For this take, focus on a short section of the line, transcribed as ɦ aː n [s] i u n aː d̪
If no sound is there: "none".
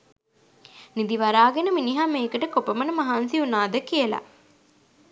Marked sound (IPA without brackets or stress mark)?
s